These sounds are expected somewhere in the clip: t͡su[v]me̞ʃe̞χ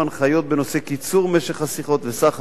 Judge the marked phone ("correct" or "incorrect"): incorrect